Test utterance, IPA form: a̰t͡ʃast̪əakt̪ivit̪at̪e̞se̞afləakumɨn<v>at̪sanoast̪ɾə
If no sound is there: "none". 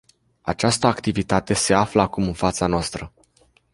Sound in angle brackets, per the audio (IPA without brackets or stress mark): f